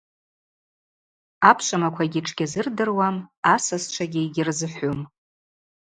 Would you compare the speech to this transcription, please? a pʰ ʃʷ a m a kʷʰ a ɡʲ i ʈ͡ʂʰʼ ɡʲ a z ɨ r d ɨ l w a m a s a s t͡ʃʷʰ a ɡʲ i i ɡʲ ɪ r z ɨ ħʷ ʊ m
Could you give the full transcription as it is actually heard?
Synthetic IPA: a pʰ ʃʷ a m a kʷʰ a ɡʲ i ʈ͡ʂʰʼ ɡʲ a z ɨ r d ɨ r w a m a s a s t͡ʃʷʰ a ɡʲ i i ɡʲ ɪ r z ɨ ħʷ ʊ m

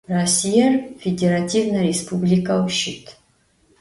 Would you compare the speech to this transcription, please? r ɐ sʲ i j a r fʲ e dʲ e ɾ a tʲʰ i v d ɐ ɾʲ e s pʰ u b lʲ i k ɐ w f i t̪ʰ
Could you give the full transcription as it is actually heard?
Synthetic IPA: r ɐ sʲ i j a r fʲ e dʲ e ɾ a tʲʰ i v n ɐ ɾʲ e s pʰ u b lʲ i k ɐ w ʃ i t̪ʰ

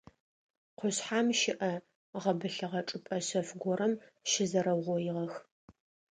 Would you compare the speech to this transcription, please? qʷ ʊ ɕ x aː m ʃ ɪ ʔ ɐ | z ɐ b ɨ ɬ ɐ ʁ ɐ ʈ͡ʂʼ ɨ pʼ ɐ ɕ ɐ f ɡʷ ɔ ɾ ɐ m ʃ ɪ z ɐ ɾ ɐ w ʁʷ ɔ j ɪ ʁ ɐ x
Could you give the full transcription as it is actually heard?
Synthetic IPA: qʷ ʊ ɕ ħ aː m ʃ ɪ ʔ ɐ | ʁ ɐ b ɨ ɬ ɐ ʁ ɐ ʈ͡ʂʼ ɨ pʼ ɐ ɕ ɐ f ɡʷ ɔ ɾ ɐ m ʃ ɪ z ɐ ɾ ɐ w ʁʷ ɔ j ɪ ʁ ɐ x

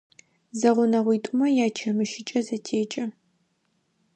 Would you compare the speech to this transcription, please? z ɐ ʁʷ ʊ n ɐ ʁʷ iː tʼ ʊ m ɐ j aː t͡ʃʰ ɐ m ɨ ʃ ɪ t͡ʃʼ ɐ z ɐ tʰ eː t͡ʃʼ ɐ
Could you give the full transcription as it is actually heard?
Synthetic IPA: z ɐ ʁʷ ʊ n ɐ ʁʷ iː tʼ ʊ m ɐ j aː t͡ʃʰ ɐ m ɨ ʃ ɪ t͡ʃʼ ɐ z ɐ tʰ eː t͡ʃʼ ɐ

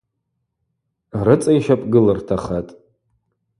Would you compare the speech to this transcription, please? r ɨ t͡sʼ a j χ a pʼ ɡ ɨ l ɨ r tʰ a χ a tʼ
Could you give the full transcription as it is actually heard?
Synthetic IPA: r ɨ t͡sʼ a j ʃ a pʼ ɡ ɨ l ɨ r tʰ a χ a tʼ

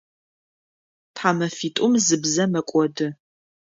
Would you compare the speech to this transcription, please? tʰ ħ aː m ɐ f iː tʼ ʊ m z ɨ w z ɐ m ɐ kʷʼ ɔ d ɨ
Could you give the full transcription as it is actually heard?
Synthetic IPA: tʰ ħ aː m ɐ f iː tʼ ʊ m z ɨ b z ɐ m ɐ kʷʼ ɔ d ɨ

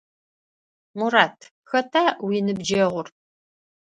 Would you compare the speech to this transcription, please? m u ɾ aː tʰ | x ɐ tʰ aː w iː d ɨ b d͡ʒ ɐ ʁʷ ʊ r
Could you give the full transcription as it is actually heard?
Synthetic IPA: m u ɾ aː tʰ | x ɐ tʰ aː w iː n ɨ b d͡ʒ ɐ ʁʷ ʊ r

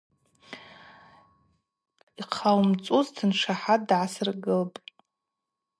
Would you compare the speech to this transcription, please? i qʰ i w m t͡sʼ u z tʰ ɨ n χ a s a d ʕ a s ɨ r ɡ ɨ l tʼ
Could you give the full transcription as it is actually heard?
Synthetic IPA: i qʰ a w m t͡sʼ u z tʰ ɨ n ʂ a ħ a d ʕ a s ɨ r ɡ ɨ l pʼ

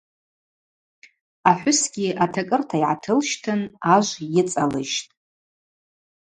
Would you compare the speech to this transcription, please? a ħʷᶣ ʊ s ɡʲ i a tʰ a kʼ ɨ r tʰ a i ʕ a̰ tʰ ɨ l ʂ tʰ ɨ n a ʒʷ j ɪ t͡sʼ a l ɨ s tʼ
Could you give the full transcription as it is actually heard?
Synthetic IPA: a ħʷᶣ ʊ s ɡʲ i a tʰ a kʼ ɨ r tʰ a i ʕ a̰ tʰ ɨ l ʃ tʰ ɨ n a ʒʷ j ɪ t͡sʼ a l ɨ ʃ tʼ

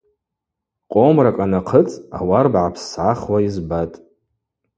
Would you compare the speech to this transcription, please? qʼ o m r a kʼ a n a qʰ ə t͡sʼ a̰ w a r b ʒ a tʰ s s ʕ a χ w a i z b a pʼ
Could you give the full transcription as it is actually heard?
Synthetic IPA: qʼ o m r a kʼ a n a qʰ ə t͡sʼ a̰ w a r b ʕ a pʰ s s ʕ a χ w a i z b a tʼ

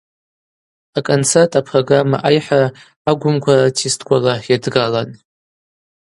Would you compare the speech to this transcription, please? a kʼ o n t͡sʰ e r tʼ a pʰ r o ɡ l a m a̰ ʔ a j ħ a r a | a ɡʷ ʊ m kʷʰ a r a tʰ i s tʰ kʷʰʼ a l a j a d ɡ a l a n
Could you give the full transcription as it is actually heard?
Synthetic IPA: a kʼ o n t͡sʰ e r tʼ a pʰ r o ɡ r a m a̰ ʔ a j ħ a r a | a ɡʷ ʊ m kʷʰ a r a tʰ i s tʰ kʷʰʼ a l a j a d ɡ a l a n

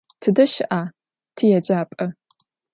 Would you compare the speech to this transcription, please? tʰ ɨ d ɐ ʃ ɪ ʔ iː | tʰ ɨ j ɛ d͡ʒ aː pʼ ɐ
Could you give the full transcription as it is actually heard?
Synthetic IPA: tʰ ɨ d ɐ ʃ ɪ ʔ aː | tʰ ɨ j ɛ d͡ʒ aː pʼ ɐ

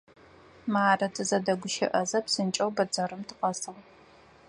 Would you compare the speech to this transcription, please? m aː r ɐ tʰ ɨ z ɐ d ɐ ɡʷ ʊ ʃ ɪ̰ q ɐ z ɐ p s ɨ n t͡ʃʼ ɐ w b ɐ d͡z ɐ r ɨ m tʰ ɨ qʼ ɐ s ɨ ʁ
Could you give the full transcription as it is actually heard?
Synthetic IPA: m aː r ɐ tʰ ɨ z ɐ d ɐ ɡʷ ʊ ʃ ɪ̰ ʔ ɐ z ɐ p s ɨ n t͡ʃʼ ɐ w b ɐ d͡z ɐ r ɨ m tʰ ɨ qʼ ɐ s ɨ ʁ

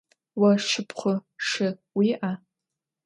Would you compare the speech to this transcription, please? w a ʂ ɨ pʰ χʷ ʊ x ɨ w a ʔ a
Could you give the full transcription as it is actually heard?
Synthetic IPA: w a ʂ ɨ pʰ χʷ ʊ ʂ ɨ w i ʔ a

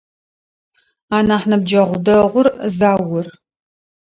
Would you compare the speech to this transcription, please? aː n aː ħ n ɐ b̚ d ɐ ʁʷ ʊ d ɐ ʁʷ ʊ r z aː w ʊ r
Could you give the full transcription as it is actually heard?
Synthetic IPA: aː n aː ħ n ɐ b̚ d͡ʒ ɐ ʁʷ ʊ d ɐ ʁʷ ʊ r z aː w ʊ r

